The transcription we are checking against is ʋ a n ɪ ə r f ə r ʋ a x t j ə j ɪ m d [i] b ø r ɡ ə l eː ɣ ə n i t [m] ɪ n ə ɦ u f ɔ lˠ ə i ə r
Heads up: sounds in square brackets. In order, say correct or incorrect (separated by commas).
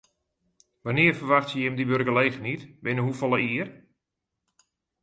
correct, incorrect